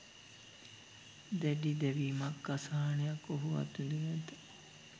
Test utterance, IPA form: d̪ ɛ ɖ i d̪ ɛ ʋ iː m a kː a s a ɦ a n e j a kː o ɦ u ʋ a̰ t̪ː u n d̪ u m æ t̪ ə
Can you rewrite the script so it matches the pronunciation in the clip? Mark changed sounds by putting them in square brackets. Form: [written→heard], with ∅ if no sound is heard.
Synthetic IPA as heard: d̪ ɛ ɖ i d̪ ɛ ʋ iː m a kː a s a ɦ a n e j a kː o ɦ u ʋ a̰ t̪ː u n d̪ u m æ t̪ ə